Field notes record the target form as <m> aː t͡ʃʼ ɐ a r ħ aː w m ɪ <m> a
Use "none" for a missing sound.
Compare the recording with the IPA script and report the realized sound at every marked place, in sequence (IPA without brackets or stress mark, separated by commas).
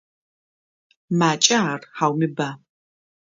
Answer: m, b